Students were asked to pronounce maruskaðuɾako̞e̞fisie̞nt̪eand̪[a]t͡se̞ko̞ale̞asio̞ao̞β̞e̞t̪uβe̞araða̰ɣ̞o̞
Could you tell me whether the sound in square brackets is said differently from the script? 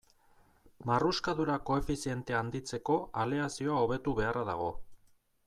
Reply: yes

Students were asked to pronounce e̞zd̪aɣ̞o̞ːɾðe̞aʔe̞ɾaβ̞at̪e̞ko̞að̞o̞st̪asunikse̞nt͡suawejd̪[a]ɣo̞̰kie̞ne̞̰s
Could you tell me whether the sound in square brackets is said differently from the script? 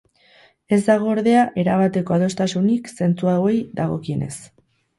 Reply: no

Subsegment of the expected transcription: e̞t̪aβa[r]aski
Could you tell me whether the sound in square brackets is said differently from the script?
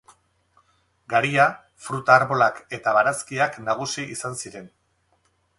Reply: yes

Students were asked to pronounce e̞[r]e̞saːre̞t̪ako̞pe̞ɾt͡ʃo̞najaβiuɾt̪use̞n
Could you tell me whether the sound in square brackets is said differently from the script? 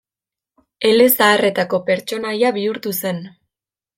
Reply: yes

